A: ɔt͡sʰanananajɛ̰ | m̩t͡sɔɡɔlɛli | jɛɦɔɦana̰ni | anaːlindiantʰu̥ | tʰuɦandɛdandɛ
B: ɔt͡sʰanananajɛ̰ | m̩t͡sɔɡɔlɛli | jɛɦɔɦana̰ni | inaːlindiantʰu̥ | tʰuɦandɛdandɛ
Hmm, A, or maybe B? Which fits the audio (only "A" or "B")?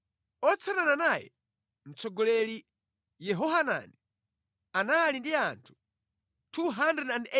A